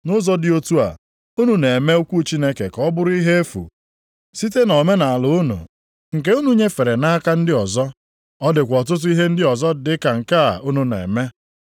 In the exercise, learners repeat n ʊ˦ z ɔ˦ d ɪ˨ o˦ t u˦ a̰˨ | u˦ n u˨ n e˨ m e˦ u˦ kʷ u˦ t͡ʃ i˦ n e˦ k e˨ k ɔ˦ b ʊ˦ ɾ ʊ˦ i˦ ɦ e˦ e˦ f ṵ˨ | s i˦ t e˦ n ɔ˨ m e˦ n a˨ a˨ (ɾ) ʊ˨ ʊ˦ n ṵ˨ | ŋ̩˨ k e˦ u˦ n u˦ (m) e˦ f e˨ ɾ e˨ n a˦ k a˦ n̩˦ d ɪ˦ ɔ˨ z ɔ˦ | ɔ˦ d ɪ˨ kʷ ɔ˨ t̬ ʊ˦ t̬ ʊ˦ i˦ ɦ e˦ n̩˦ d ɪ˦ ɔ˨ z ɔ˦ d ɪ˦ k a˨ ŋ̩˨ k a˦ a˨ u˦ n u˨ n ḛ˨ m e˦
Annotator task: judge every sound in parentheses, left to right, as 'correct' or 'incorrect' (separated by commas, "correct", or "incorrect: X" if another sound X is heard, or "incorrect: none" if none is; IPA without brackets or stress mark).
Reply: incorrect: l, incorrect: ɲ